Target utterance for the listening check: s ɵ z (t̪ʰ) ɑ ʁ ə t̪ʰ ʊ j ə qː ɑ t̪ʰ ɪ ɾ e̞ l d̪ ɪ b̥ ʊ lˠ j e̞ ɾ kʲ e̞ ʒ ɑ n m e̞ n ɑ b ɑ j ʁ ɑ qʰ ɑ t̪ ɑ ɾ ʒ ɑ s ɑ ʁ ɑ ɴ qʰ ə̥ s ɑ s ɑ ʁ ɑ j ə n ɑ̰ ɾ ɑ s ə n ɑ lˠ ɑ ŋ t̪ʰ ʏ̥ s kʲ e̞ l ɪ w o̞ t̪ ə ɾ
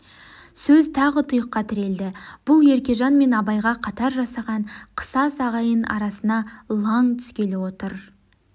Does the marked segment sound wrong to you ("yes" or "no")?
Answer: no